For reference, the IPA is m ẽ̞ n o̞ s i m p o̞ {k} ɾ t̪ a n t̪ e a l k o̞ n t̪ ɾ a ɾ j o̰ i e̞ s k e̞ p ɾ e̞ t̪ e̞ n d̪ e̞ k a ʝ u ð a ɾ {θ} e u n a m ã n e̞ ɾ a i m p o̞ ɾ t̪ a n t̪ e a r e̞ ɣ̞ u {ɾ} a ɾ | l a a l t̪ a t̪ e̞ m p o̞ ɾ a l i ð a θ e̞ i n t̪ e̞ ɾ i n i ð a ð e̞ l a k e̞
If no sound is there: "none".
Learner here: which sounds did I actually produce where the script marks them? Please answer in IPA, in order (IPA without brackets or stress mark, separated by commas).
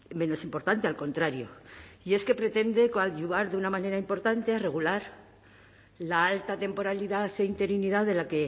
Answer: none, ð, l